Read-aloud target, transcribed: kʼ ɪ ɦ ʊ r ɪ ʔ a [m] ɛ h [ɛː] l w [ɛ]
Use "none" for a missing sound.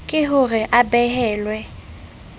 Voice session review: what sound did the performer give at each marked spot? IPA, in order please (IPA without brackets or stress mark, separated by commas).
b, ɛː, ɛ